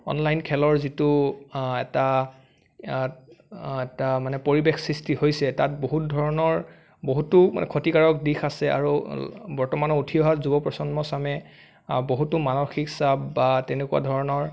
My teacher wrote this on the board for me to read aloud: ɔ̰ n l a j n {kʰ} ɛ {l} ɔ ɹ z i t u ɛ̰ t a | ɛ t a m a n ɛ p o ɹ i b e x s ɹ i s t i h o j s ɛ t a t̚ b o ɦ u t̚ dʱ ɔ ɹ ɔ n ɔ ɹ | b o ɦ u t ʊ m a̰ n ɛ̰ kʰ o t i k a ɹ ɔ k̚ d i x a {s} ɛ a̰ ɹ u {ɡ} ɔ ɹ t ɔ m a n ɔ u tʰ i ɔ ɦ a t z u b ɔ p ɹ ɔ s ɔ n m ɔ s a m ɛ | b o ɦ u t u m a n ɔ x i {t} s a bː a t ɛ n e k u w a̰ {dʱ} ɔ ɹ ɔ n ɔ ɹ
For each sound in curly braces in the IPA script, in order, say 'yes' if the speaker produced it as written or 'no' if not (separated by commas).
yes, yes, yes, no, no, yes